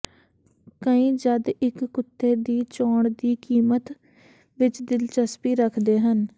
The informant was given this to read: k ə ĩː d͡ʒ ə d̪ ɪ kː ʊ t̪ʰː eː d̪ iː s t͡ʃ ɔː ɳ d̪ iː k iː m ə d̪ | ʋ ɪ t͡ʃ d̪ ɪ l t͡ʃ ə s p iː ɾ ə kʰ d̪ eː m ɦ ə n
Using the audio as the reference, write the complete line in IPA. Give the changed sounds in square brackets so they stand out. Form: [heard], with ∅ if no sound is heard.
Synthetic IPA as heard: k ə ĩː d͡ʒ ə d̪ ɪ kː ʊ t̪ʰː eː d̪ iː [∅] t͡ʃ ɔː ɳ d̪ iː k iː m ə [t̪] | ʋ ɪ t͡ʃ d̪ ɪ l t͡ʃ ə s p iː ɾ ə kʰ d̪ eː [∅] ɦ ə n